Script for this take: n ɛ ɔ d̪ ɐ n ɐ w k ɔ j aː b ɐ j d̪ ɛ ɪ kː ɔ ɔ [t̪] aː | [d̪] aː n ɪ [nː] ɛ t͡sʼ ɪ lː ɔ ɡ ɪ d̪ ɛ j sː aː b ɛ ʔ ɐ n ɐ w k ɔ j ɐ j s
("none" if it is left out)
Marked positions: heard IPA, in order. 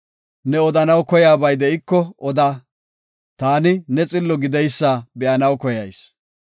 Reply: d̪, t̪, n

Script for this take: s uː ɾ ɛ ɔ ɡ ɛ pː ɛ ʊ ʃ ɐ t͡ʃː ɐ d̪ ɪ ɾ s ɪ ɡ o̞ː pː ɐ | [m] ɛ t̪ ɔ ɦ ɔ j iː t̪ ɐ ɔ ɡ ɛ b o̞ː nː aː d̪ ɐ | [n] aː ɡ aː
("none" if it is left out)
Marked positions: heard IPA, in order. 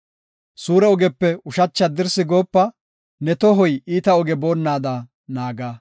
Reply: n, n

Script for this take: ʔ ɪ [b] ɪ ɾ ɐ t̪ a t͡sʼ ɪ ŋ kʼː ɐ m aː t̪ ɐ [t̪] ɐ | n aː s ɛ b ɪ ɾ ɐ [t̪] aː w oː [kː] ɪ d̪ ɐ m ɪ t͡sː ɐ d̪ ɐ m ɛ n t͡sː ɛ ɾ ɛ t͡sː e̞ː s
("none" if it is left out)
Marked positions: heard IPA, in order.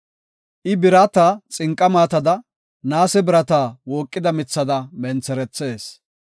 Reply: b, d̪, t̪, kʼː

